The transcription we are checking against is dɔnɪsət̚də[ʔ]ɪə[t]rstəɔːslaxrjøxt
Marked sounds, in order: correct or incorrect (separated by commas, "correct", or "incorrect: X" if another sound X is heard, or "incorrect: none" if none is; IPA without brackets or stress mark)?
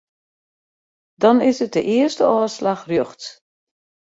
correct, incorrect: none